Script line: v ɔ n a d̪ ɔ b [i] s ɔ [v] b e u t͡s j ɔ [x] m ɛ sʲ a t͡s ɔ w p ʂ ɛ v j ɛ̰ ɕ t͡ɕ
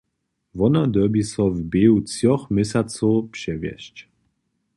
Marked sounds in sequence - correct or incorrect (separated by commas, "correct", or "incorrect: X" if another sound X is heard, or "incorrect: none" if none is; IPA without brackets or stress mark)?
correct, correct, correct